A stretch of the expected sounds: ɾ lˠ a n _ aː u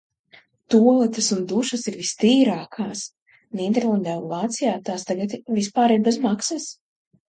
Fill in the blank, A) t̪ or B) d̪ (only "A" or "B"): B